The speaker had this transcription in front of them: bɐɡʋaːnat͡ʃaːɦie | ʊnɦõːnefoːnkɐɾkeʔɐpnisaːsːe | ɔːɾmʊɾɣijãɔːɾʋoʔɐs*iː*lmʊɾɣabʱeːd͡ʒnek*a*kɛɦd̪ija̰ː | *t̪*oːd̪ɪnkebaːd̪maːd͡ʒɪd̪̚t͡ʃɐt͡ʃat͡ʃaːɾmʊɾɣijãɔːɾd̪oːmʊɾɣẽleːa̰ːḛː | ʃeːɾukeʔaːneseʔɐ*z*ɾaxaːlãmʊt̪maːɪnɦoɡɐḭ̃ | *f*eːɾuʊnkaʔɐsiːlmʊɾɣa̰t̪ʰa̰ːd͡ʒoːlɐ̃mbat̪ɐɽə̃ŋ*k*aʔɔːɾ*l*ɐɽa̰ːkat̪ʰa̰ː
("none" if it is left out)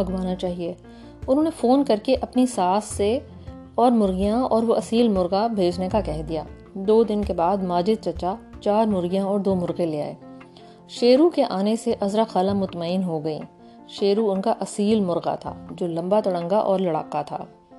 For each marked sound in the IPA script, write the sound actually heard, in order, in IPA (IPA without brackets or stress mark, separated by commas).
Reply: iː, a, d̪, z, ʃ, ɡ, l